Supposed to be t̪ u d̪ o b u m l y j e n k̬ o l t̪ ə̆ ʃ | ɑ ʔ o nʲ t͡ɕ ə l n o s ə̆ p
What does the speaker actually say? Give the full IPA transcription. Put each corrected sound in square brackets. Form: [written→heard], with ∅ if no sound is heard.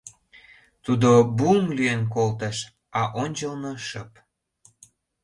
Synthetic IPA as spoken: t̪ u d̪ o b u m l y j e n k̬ o l t̪ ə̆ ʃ | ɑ ʔ o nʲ t͡ɕ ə l n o [s→ʃ] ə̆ p